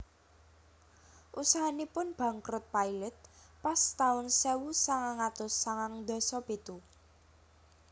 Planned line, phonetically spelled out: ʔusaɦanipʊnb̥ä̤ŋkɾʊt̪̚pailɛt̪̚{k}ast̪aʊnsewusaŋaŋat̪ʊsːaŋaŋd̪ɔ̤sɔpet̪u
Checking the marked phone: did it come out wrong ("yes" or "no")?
yes